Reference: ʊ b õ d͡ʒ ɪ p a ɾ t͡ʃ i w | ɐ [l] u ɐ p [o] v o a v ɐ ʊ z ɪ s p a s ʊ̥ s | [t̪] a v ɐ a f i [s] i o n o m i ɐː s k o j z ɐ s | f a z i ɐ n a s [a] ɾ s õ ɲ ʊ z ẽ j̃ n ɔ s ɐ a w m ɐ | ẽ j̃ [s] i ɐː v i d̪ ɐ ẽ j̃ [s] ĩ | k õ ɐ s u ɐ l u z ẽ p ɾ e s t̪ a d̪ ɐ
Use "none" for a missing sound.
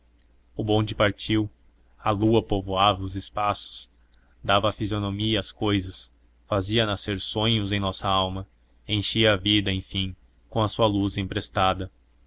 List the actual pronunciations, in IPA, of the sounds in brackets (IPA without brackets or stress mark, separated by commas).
l, o, d̪, z, e, ʃ, f